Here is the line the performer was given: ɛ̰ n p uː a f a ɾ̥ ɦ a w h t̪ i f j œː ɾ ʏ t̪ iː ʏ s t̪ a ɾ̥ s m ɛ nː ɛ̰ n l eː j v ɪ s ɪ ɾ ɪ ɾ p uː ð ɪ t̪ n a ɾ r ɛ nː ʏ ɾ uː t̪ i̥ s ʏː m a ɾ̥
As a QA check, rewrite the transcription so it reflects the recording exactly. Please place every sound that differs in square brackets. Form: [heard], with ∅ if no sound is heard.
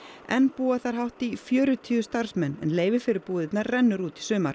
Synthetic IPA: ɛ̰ n p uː a [θ] a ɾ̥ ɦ a w h t̪ i f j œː ɾ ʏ [t̪ʰ] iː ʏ s t̪ a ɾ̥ s m ɛ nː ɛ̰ n l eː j v ɪ [f] ɪ ɾ ɪ ɾ p uː ð ɪ t̪ n a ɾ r ɛ nː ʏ ɾ uː t̪ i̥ s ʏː m a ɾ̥